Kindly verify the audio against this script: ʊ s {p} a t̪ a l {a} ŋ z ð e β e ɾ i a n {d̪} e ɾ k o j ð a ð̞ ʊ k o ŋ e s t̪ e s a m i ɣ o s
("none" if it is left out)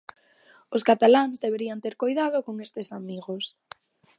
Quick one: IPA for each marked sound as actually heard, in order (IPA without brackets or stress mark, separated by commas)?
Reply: k, a, t̪